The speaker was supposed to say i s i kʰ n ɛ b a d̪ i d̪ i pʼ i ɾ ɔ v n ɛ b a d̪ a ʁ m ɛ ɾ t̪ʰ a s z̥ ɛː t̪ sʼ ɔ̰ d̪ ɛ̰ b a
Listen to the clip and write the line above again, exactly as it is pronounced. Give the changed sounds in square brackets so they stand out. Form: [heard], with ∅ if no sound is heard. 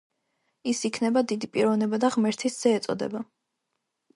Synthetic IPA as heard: i s i kʰ n ɛ b a d̪ i d̪ i pʼ i ɾ ɔ v n ɛ b a d̪ a ʁ m ɛ ɾ t̪ʰ [i] s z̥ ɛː t̪ sʼ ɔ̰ d̪ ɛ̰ b a